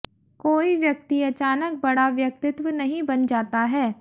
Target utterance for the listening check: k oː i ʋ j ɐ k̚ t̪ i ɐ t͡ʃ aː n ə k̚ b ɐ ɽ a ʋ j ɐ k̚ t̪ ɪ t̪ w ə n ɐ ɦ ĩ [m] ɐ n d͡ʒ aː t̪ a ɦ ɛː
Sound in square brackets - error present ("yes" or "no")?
yes